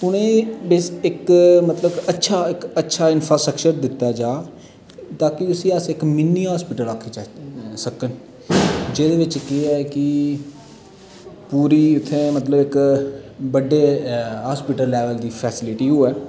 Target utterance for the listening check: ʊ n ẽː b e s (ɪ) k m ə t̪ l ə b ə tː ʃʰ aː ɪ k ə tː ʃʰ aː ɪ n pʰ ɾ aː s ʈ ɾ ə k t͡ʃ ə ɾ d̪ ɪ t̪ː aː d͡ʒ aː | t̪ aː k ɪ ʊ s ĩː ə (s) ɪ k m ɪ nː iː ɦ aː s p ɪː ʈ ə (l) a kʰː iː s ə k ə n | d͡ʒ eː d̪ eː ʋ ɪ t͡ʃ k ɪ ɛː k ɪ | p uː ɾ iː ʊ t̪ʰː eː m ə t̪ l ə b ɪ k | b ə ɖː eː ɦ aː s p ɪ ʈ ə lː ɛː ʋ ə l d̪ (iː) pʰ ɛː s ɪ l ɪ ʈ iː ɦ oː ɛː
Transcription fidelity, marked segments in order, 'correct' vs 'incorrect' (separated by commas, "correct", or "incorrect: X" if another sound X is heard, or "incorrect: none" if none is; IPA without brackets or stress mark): correct, correct, correct, correct